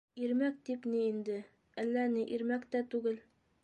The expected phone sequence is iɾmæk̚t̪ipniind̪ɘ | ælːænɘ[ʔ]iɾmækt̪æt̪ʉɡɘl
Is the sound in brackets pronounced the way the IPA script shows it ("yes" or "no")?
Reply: yes